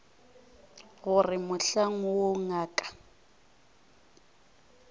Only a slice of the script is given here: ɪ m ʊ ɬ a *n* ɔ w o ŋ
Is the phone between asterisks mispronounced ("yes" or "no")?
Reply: yes